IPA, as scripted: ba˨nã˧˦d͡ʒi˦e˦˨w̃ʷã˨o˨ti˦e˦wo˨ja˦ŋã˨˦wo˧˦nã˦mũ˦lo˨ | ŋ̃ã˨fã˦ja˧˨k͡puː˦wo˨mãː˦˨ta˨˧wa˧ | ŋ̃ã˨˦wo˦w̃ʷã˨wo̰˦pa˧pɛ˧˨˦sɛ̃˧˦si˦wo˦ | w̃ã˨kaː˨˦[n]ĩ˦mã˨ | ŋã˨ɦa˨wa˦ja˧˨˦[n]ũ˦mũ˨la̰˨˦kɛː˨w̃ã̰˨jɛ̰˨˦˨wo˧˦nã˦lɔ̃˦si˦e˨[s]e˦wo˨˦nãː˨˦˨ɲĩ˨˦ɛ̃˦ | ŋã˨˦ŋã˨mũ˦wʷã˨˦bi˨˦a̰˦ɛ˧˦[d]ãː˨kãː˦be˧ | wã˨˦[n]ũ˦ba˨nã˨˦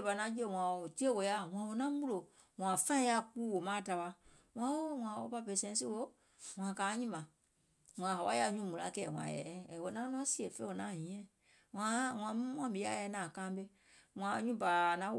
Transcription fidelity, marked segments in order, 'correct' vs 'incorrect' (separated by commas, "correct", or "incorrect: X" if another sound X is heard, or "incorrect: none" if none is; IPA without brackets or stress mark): incorrect: ɲ, incorrect: ɲ, incorrect: f, incorrect: n, incorrect: ɲ